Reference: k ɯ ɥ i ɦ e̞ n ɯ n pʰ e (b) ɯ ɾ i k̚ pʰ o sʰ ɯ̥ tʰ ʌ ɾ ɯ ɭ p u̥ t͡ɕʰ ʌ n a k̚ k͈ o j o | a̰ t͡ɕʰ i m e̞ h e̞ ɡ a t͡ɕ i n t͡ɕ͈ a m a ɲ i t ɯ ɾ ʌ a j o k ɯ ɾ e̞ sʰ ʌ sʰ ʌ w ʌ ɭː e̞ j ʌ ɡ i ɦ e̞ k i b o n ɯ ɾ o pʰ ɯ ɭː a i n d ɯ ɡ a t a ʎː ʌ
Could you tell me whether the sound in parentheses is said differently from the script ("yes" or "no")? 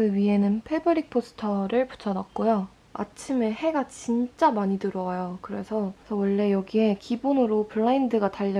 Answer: no